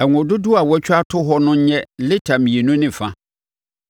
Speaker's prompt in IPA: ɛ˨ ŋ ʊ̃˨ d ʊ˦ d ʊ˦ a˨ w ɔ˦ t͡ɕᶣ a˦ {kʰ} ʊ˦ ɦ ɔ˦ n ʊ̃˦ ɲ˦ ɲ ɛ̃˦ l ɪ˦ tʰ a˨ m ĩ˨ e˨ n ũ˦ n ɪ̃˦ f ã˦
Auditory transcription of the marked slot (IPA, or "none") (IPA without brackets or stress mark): tʰ